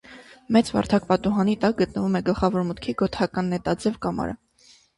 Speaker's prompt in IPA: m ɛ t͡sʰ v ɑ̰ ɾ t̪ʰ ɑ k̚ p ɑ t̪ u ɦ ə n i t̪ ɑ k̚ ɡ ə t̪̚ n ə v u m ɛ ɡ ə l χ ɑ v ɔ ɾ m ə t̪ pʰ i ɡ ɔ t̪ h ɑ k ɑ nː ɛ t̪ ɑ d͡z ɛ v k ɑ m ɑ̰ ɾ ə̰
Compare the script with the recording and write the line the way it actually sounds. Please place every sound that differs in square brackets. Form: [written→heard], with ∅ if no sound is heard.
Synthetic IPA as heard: m ɛ [t͡sʰ→t͡s] v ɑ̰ ɾ t̪ʰ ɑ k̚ p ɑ t̪ u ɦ [ə→ɑ] n i t̪ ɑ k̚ ɡ ə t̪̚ n ə v u m ɛ ɡ ə l χ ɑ v ɔ ɾ m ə t̪ [pʰ→kʰ] i ɡ ɔ t̪ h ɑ k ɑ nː ɛ t̪ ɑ d͡z ɛ v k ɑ m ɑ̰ ɾ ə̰

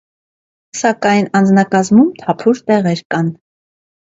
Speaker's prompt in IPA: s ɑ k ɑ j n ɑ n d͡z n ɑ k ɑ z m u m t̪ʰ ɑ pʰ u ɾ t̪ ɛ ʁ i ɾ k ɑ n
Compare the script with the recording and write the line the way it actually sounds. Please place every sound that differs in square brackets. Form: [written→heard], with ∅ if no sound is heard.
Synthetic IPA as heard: s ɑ k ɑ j n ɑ n d͡z n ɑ k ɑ z m u m t̪ʰ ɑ pʰ u ɾ t̪ ɛ ʁ [i→ɛ] ɾ k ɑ n

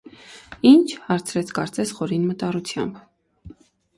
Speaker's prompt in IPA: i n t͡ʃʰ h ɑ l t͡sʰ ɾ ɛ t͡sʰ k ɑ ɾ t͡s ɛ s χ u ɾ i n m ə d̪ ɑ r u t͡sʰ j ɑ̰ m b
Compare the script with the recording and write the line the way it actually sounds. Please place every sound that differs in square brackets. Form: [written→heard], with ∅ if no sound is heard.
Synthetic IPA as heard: i n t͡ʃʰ h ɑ [l→ɾ] t͡sʰ ɾ ɛ t͡sʰ k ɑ ɾ t͡s ɛ s χ [u→ɔ] ɾ i n m ə [d̪→t̪] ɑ r u t͡sʰ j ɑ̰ m b

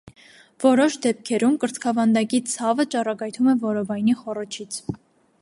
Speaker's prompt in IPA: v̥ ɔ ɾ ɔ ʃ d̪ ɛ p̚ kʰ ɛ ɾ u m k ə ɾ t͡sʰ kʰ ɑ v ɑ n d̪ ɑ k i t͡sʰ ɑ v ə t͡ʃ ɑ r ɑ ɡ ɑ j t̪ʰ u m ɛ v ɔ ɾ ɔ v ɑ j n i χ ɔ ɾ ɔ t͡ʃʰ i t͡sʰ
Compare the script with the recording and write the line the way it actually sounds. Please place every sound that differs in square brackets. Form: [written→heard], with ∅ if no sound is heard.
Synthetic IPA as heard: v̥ ɔ ɾ ɔ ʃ d̪ ɛ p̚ kʰ ɛ ɾ u m k ə ɾ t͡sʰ kʰ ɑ v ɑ n d̪ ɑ k i t͡sʰ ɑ v ə t͡ʃ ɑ r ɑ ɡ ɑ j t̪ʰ u m ɛ v ɔ ɾ ɔ v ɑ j n i χ ɔ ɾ ɔ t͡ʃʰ i t͡sʰ

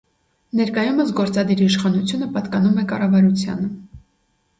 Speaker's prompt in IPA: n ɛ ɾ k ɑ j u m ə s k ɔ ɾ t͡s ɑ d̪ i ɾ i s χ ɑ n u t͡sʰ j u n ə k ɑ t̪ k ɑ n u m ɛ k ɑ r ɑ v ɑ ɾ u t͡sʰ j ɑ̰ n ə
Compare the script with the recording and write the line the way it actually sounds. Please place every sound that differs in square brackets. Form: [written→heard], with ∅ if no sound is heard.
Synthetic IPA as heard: n ɛ ɾ k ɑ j u m ə s [k→ɡ] ɔ ɾ t͡s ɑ d̪ i ɾ i [s→ʃ] χ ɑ n u t͡sʰ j u n ə [k→p] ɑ t̪ k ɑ n u m ɛ k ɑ r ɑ v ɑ ɾ u t͡sʰ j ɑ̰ n ə

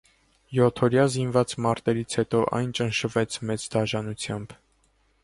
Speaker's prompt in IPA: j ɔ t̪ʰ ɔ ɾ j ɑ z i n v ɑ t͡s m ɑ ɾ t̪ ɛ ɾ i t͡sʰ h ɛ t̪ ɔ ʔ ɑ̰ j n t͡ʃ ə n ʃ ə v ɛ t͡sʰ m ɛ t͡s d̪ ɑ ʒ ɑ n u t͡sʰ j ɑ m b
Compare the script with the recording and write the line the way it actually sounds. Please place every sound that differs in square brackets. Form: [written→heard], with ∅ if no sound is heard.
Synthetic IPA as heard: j ɔ t̪ʰ ɔ ɾ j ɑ z i n v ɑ t͡s m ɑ ɾ t̪ ɛ ɾ i t͡sʰ h ɛ t̪ ɔ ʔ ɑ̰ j n t͡ʃ ə n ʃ ə v ɛ t͡sʰ m ɛ t͡s d̪ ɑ ʒ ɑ n u t͡sʰ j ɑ m b

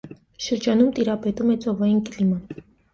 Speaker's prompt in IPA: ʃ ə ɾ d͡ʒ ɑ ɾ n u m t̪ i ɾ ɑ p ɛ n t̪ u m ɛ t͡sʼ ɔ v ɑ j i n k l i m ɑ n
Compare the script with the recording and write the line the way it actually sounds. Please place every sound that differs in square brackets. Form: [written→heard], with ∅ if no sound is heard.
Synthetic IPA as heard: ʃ ə ɾ d͡ʒ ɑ [ɾ→∅] n u m t̪ i ɾ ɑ p ɛ [n→∅] t̪ u m ɛ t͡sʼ ɔ v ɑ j i n k l i m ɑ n

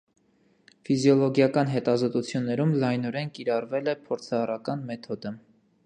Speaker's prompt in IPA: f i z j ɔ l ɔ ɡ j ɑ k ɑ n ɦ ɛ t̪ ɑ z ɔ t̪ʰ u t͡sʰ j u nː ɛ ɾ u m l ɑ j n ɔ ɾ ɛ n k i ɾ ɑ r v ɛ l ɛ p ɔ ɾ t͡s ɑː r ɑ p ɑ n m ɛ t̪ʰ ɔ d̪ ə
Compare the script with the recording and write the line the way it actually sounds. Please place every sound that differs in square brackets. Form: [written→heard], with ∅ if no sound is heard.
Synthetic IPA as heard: f i z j ɔ l ɔ ɡ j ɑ k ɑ n ɦ ɛ t̪ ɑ z ɔ [t̪ʰ→t̪] u t͡sʰ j u nː ɛ ɾ u m l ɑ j n ɔ ɾ ɛ n k i ɾ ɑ r v ɛ l ɛ [p→pʰ] ɔ ɾ [t͡s→t͡sʰ] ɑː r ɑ [p→k] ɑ n m ɛ t̪ʰ ɔ d̪ ə

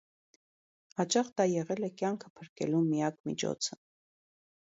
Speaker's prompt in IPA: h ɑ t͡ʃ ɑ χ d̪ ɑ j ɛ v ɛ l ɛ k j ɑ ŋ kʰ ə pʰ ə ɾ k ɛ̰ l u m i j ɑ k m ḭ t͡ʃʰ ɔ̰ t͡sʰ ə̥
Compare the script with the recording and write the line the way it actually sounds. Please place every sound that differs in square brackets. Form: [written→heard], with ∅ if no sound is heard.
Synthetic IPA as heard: h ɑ t͡ʃ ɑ χ d̪ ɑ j ɛ [v→ʁ] ɛ l ɛ k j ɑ ŋ kʰ ə pʰ ə ɾ k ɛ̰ l u m i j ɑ k m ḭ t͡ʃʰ ɔ̰ t͡sʰ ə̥

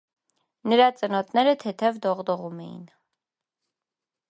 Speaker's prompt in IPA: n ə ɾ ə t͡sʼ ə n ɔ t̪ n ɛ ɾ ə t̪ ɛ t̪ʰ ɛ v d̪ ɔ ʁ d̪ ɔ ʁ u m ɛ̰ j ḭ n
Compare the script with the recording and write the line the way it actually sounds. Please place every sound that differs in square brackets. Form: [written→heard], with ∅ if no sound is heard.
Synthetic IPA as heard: n ə ɾ [ə→ɑ] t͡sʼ ə n ɔ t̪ n ɛ ɾ ə [t̪→t̪ʰ] ɛ t̪ʰ ɛ v d̪ ɔ ʁ d̪ ɔ ʁ u m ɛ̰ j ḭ n

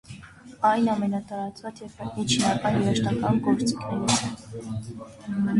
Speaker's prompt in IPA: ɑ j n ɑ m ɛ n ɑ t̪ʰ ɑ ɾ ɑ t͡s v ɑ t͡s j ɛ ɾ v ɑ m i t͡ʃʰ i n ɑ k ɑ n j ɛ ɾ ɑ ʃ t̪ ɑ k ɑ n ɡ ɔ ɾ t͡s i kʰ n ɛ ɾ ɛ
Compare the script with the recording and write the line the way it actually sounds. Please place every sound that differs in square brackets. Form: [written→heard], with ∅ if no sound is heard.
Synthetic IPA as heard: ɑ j n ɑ m ɛ n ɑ [t̪ʰ→t̪] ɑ ɾ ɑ t͡s v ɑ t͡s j ɛ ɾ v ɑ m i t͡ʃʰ i n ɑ k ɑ n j ɛ ɾ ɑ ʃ t̪ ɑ k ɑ n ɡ ɔ ɾ t͡s i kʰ n ɛ ɾ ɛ

